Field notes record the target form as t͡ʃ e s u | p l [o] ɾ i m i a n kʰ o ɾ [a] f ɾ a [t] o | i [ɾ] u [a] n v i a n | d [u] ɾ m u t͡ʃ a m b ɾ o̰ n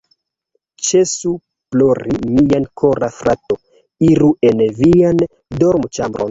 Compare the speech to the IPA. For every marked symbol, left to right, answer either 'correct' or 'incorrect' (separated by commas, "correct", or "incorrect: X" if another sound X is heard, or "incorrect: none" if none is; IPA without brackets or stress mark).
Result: correct, correct, correct, correct, incorrect: e, incorrect: o